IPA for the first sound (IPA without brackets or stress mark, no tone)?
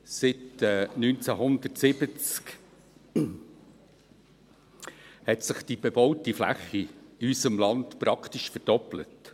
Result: s